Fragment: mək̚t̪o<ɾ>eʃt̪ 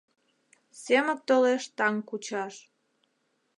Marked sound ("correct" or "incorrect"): incorrect